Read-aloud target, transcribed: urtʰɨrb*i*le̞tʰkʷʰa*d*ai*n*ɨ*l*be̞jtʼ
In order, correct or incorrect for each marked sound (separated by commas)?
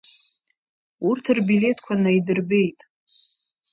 correct, incorrect, incorrect, incorrect